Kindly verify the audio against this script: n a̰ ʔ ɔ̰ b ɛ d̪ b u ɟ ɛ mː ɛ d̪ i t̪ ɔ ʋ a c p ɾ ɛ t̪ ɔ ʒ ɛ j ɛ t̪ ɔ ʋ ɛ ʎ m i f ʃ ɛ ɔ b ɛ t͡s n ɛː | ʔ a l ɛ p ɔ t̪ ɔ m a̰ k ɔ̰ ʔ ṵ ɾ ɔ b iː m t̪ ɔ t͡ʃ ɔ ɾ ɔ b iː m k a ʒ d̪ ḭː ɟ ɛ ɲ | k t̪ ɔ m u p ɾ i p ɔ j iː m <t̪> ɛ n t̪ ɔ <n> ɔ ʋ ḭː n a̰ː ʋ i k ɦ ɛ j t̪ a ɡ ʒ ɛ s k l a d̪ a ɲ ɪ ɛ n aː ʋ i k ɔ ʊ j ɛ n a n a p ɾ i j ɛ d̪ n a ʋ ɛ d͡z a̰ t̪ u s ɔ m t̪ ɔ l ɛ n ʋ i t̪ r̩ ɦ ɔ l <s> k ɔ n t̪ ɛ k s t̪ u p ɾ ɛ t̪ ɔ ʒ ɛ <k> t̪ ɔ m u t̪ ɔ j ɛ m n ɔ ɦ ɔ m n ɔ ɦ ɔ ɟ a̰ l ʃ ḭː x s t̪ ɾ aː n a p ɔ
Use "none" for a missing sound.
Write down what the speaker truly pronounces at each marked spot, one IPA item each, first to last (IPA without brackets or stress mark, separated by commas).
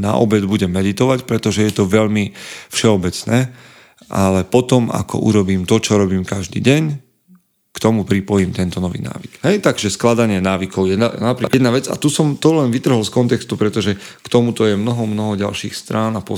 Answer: t̪, n, s, k